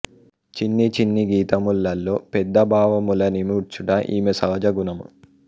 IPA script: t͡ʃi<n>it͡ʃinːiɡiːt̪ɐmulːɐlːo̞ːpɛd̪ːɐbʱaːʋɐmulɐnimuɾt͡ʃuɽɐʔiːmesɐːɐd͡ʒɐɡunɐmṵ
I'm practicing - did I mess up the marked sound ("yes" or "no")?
yes